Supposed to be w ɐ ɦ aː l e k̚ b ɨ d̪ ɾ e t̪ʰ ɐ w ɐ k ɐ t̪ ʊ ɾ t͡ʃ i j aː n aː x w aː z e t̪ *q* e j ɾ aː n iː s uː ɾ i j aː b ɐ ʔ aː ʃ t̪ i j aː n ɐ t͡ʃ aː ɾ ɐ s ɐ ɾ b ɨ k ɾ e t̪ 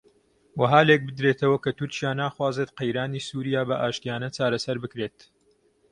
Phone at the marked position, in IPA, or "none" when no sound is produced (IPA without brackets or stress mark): q